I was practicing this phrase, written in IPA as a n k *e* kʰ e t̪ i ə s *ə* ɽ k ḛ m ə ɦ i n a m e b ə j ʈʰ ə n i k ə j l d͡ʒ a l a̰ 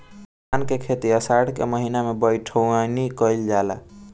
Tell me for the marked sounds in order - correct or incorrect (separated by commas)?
correct, incorrect